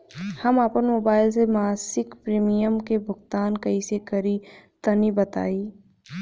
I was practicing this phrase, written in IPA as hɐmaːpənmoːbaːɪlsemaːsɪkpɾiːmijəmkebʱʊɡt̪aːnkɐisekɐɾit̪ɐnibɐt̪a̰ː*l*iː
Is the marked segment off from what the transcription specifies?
yes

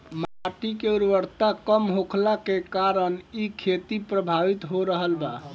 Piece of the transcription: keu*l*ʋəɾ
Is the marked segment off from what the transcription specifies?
yes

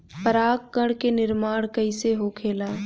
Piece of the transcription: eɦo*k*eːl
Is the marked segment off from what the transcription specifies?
yes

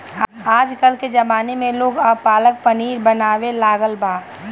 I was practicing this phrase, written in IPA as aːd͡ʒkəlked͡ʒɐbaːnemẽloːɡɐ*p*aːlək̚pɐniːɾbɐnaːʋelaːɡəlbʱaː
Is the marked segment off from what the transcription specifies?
no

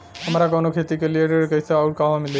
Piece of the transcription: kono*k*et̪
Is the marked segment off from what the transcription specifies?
yes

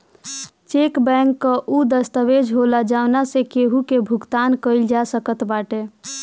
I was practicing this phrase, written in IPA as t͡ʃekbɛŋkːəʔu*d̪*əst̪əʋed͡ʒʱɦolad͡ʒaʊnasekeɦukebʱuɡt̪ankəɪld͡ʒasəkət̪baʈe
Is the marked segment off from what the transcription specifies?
no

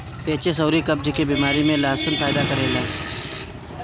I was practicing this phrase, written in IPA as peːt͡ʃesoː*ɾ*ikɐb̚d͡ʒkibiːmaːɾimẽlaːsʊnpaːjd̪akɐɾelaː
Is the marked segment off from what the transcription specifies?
no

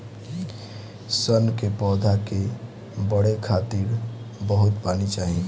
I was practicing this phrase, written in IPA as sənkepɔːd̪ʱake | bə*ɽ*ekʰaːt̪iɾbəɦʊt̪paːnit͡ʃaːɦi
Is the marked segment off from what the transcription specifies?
no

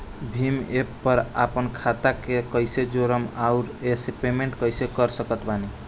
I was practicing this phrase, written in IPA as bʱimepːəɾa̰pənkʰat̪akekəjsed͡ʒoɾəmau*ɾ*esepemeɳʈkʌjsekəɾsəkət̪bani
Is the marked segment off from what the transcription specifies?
no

